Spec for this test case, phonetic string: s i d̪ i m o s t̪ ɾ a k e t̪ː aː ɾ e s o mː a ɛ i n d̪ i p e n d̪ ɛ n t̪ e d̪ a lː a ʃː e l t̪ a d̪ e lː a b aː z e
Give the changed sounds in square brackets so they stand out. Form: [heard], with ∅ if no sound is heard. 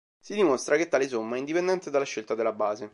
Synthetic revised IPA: s i d̪ i m o s t̪ ɾ a k e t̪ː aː [l] e s o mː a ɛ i n d̪ i p e n d̪ ɛ n t̪ e d̪ a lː a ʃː e l t̪ a d̪ e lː a b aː z e